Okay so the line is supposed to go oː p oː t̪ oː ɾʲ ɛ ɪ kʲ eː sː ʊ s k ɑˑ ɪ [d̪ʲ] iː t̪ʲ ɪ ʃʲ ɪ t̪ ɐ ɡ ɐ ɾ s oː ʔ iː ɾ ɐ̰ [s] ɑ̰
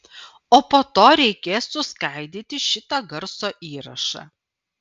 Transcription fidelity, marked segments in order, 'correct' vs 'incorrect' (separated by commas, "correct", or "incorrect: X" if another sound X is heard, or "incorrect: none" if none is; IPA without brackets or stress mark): correct, incorrect: ʃ